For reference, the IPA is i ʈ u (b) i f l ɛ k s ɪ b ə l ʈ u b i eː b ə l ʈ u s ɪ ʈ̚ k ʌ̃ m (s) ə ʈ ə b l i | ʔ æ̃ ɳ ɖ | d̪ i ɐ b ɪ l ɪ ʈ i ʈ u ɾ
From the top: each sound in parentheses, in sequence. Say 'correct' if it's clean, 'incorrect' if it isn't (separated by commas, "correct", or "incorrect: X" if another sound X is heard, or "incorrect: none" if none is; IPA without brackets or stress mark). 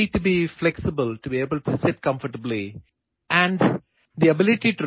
correct, incorrect: f